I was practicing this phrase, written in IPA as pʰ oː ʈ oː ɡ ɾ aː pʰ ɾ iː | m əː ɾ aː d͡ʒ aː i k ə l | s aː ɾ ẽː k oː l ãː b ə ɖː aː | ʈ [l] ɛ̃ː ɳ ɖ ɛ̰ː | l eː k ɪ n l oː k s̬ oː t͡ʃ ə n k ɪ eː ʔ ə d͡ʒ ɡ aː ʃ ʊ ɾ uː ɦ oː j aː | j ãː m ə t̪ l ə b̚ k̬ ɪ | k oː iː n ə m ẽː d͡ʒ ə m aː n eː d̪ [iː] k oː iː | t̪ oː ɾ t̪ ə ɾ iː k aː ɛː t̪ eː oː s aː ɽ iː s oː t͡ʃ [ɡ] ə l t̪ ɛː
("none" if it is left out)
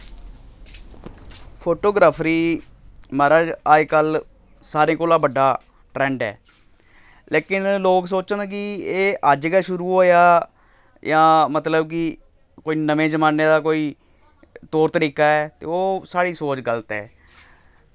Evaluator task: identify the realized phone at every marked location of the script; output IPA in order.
ɾ, aː, ɡ

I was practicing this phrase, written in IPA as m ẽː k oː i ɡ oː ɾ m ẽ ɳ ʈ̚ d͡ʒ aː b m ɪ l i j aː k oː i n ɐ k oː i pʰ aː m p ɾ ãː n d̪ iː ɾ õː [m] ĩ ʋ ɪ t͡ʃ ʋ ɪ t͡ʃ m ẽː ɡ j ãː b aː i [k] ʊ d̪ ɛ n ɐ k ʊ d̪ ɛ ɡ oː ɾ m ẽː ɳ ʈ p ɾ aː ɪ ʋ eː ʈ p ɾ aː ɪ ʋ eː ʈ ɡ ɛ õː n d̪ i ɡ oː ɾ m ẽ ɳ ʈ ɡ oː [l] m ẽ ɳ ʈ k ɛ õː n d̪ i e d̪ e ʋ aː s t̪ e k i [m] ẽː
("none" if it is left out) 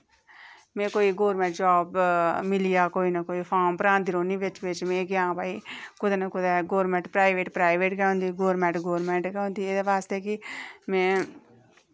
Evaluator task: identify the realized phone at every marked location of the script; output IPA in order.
n, k, ɾ, m

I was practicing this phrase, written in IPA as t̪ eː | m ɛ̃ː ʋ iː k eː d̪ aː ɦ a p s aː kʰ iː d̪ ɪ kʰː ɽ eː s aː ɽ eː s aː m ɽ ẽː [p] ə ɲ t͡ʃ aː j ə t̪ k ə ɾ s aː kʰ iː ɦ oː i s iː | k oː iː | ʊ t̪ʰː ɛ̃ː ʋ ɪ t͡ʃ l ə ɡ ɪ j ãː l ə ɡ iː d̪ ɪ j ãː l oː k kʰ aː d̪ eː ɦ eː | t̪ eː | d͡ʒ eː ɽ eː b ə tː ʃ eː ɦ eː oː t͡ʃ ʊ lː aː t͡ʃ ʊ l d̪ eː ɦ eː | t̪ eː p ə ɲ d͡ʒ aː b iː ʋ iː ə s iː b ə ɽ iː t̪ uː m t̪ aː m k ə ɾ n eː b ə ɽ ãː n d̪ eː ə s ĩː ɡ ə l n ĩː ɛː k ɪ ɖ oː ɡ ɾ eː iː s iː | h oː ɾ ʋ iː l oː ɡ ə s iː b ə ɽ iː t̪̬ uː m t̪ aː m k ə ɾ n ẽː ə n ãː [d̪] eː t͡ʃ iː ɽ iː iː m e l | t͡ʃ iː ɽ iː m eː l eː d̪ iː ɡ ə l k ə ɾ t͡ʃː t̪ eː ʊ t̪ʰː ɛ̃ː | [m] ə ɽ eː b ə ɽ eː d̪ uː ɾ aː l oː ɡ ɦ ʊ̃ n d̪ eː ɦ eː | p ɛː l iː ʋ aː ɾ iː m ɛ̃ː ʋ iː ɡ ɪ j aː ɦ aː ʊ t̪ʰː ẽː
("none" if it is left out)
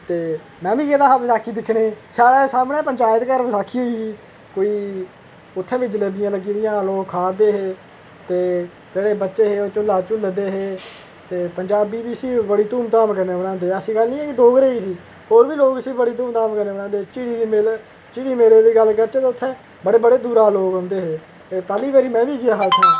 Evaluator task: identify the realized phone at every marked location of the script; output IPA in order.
p, d̪, b

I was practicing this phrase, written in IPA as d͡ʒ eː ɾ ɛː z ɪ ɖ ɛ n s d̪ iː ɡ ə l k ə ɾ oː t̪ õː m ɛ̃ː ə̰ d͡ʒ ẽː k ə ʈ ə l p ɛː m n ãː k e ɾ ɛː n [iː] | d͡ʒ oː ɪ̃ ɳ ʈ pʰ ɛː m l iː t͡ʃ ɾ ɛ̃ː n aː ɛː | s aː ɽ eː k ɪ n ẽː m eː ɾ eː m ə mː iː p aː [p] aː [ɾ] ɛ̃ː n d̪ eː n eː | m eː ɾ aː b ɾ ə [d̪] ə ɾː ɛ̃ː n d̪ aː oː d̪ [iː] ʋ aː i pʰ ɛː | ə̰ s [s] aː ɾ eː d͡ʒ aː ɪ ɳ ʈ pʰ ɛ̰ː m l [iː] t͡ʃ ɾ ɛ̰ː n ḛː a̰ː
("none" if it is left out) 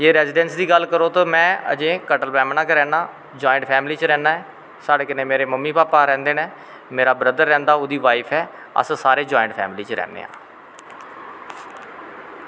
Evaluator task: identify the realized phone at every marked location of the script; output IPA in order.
aː, p, ɾ, d̪, iː, s, iː

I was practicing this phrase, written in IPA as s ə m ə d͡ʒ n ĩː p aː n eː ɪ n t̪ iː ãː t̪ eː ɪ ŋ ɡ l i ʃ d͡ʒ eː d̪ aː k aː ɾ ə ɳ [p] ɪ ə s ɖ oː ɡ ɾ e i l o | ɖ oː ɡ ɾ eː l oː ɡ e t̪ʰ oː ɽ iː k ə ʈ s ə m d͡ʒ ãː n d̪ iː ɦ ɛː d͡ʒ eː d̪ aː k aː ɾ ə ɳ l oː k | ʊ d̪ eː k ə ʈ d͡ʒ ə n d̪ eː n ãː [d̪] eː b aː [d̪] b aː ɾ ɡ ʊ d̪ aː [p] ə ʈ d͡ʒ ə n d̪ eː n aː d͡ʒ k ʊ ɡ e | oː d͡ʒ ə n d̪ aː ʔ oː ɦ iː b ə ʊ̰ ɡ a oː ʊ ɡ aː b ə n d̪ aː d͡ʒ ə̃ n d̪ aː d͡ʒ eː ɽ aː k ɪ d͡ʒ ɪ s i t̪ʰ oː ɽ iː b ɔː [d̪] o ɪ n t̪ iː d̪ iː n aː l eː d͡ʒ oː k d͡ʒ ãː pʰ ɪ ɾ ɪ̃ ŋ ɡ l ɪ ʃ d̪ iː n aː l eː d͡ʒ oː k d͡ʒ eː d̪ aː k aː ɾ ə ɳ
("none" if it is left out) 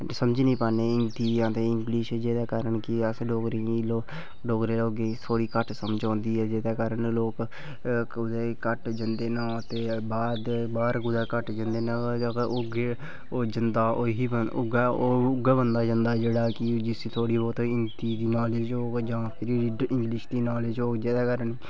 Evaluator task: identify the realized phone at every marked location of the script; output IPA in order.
k, t̪, d̪, k, t̪

